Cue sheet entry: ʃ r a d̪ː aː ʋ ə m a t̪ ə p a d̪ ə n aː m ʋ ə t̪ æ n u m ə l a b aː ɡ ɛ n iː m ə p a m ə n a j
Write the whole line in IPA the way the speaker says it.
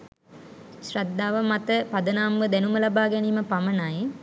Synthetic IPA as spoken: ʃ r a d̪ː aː ʋ ə m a t̪ ə p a d̪ ə n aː m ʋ ə d̪ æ n u m ə l a b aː ɡ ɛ n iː m ə p a m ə n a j